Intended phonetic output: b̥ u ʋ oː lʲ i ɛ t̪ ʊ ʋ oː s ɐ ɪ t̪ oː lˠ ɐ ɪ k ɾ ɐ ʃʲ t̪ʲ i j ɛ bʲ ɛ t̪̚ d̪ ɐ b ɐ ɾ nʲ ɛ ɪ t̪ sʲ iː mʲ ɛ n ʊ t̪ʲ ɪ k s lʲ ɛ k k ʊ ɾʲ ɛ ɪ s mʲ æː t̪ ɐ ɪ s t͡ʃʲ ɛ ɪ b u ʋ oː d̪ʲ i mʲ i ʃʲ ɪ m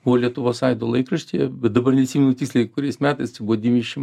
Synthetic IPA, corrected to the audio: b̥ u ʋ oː lʲ i ɛ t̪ ʊ ʋ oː s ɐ ɪ d̪ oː lˠ ɐ ɪ k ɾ ɐ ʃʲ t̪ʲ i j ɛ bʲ ɛ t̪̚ d̪ ɐ b ɐ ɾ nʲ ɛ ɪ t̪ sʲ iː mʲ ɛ n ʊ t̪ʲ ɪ k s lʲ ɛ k k ʊ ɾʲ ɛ ɪ s mʲ æː t̪ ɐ ɪ s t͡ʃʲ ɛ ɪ b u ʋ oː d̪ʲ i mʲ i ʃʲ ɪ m